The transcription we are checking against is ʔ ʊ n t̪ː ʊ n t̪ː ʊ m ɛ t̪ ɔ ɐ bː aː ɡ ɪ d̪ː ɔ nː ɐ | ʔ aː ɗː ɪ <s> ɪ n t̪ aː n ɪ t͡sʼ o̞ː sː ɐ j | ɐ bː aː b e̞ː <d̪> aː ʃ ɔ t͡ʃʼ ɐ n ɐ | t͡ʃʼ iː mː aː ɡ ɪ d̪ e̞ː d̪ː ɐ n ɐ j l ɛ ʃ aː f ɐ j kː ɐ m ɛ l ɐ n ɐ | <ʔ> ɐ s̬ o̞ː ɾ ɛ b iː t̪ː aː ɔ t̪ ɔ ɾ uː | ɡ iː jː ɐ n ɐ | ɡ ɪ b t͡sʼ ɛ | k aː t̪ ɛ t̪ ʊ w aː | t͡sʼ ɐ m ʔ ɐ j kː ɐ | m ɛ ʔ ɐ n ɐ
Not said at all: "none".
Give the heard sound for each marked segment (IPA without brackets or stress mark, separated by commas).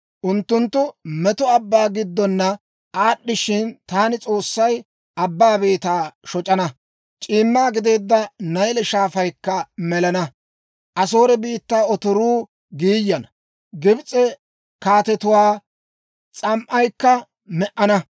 ʃ, t̪, ʔ